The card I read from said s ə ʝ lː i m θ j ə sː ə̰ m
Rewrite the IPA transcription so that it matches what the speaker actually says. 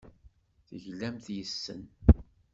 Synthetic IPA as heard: θ ə ʝ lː æ m θ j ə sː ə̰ n